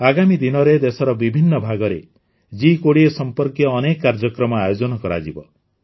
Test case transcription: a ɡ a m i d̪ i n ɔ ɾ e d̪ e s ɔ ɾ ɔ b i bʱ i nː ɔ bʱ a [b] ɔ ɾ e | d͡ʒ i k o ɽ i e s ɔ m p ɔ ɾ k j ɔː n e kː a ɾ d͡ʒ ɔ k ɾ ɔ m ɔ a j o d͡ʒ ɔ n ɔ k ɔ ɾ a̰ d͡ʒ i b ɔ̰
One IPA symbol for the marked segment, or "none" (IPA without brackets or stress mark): ɡ